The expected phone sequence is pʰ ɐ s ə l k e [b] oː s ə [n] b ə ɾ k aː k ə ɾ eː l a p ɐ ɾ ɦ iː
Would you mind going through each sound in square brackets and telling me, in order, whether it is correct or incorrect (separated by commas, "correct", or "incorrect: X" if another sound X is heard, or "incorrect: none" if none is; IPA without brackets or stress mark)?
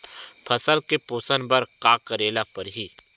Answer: incorrect: p, correct